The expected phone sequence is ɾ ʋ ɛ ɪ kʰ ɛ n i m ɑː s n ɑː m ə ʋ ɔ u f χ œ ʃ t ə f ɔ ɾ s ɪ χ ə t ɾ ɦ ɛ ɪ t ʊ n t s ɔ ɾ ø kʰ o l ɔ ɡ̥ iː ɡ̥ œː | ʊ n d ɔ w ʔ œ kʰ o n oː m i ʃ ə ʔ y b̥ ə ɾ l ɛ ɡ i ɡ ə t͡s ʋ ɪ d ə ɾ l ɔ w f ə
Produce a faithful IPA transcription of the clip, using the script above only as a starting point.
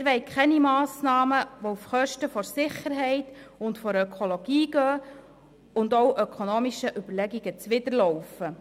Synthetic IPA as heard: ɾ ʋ ɛ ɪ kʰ ɛ n i m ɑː s n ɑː m ə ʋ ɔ u f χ œ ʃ t ə f ɔ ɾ s ɪ χ ə ɾ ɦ ɛ ɪ t ʊ n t f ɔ ɾ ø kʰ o l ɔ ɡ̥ iː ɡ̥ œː | ʊ n d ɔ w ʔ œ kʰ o n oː m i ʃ ə ʔ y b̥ ə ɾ l ɛ ɡ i ɡ ə t͡s ʋ ɪ d ə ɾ l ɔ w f ə